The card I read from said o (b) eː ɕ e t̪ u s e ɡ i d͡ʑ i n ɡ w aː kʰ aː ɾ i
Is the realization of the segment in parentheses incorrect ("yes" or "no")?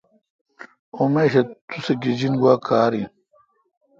yes